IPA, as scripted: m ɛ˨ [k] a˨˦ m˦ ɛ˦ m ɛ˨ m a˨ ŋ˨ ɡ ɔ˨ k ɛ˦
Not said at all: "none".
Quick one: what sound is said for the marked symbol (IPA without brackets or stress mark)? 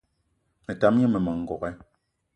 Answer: t